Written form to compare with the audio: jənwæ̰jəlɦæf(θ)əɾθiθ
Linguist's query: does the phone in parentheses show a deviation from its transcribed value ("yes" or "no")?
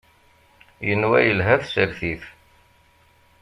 yes